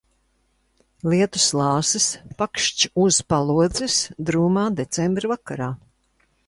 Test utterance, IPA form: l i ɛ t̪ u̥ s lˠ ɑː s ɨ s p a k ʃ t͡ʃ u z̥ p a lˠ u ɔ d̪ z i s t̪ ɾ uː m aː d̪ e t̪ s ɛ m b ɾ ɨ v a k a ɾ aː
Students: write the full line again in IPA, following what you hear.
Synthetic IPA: l i ɛ t̪ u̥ s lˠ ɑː s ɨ s p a k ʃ t͡ʃ u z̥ p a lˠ u ɔ d̪ z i s d̪ ɾ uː m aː d̪ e t̪ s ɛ m b ɾ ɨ v a k a ɾ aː